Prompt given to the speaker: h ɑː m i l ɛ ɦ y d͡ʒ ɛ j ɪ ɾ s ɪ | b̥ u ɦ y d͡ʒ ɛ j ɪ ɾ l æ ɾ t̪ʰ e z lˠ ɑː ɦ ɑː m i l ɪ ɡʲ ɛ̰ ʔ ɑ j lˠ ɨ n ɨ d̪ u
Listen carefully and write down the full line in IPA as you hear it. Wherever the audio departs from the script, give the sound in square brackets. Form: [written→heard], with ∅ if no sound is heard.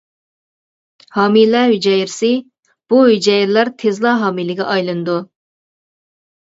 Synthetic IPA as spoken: h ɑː m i l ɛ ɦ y d͡ʒ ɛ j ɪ ɾ s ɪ | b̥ u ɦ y d͡ʒ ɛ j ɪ ɾ l æ ɾ t̪ʰ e z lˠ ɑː ɦ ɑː m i l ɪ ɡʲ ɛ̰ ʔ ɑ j lˠ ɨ n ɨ d̪ u